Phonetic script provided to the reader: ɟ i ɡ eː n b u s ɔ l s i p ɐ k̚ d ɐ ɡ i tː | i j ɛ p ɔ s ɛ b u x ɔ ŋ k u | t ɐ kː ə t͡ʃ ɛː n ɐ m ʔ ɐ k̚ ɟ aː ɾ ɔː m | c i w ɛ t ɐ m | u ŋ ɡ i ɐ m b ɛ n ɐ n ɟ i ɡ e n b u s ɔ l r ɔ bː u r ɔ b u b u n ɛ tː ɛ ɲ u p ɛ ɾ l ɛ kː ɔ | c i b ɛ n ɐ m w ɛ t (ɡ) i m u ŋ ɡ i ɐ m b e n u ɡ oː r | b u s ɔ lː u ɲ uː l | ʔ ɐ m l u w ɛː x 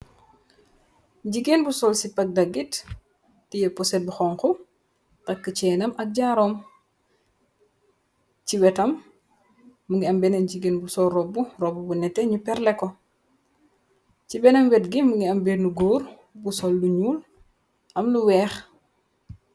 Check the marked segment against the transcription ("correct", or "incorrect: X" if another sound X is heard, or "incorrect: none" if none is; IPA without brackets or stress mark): correct